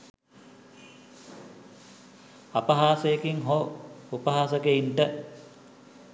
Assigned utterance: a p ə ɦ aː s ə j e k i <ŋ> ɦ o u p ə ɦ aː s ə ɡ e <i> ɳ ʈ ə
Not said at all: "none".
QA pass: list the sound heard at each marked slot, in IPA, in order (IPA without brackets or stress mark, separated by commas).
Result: ŋ, i